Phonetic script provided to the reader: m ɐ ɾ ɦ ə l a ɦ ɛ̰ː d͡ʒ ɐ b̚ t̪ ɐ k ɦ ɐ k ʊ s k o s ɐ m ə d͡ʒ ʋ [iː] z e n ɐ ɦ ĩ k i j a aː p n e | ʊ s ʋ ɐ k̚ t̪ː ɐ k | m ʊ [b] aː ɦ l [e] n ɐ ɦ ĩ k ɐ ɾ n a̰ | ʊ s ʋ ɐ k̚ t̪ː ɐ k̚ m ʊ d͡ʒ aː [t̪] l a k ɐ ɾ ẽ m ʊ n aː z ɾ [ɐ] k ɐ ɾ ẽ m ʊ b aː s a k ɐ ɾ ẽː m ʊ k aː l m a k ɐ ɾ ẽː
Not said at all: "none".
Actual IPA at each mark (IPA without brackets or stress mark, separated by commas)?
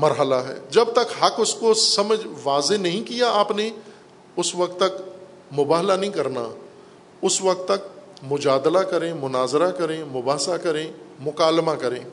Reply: aː, b, a, d̪, a